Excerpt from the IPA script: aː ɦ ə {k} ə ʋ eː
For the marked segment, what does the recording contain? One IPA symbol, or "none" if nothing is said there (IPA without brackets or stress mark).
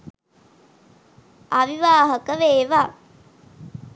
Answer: k